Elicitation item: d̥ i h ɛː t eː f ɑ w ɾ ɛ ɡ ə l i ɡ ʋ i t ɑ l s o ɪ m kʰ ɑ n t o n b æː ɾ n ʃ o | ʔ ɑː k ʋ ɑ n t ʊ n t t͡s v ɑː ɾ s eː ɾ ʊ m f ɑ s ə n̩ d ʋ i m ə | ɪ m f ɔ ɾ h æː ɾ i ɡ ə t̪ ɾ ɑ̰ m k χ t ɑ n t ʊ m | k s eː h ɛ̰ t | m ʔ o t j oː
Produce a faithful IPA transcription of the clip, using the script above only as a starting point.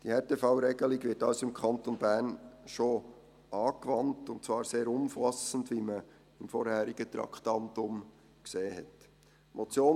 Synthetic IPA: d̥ i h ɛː t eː f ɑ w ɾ ɛ ɡ ə l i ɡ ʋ ɪ t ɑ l s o ɪ m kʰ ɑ n t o n b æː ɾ n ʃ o | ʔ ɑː k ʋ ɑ n t ʊ n t t͡s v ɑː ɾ s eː ɾ ʊ m f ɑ s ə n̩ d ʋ i m ə | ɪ m f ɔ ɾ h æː ɾ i ɡ ə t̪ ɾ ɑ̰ k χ t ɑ n t ʊ m | k s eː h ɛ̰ t | m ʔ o t͡s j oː